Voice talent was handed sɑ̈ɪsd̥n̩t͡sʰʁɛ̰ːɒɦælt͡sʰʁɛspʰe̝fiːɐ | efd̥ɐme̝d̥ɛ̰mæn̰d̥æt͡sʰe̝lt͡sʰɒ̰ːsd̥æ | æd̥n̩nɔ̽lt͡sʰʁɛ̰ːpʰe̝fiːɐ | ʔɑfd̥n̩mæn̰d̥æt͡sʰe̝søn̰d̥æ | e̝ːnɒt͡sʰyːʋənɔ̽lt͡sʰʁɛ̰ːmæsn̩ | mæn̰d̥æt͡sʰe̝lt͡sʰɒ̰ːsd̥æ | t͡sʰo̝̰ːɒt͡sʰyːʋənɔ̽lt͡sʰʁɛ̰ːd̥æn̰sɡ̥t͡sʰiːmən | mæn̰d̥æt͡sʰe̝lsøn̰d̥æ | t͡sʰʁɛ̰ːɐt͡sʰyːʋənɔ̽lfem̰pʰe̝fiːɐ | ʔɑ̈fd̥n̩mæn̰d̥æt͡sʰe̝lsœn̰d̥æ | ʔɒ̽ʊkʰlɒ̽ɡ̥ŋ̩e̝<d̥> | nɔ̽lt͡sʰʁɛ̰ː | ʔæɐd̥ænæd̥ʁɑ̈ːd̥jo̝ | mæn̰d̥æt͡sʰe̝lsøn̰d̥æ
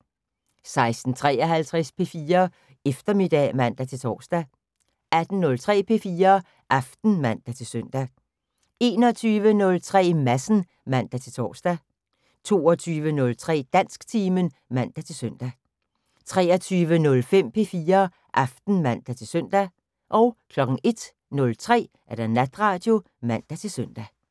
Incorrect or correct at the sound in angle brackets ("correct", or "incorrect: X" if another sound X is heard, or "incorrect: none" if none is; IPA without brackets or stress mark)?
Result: correct